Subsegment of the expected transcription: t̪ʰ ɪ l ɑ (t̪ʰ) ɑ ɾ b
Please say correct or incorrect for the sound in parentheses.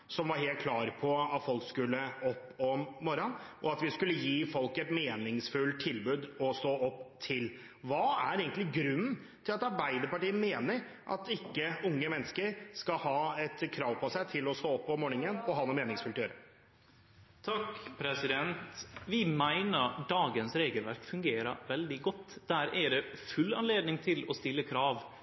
incorrect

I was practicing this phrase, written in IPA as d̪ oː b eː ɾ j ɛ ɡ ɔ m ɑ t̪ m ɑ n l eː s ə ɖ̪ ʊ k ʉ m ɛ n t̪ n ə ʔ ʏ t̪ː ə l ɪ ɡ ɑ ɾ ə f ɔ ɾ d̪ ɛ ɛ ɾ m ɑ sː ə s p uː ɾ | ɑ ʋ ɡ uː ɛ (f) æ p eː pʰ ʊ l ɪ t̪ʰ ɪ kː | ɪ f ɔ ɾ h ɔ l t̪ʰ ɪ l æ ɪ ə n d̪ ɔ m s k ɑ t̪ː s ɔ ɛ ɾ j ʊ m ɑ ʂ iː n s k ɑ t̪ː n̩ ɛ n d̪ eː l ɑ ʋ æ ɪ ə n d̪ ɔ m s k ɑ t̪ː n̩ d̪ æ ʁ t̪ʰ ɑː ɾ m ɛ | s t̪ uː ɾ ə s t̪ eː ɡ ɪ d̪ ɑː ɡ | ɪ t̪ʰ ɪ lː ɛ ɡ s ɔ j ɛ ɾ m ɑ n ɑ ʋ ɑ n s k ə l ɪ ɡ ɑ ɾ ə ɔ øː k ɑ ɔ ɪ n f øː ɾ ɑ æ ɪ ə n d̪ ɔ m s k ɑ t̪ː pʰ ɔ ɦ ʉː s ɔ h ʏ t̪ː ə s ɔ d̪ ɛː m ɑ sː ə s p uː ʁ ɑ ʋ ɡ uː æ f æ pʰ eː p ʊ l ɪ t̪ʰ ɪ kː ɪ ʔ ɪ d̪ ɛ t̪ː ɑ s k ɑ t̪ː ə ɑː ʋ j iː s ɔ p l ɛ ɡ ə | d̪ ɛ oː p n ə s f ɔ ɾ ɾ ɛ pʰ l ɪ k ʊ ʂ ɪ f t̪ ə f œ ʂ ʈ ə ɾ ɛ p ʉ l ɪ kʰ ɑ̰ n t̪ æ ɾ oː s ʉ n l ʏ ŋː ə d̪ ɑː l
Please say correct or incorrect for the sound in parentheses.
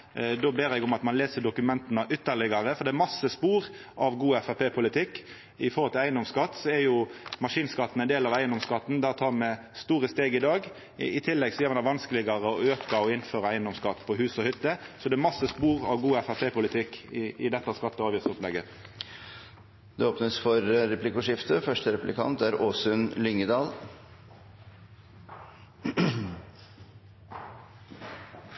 correct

